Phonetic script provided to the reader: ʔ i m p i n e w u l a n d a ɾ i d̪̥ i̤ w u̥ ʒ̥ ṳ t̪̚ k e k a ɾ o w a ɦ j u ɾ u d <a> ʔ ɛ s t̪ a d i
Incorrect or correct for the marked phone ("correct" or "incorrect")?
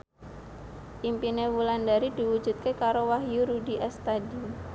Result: incorrect